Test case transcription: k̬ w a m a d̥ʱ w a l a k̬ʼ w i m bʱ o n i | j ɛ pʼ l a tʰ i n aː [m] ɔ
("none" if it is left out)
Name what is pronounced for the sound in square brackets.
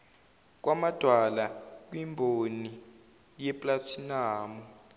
m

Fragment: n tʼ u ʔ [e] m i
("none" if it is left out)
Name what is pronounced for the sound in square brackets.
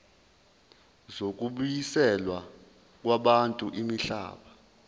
i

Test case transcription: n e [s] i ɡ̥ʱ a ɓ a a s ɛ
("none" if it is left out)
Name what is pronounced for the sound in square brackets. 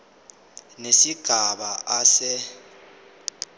s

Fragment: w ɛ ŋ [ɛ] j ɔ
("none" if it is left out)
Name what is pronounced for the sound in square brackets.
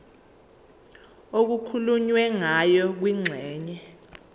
a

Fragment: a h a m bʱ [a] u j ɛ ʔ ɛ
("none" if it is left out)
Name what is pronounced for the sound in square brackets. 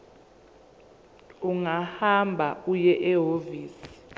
a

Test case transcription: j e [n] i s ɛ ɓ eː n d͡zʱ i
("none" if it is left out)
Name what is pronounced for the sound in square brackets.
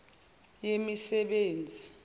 m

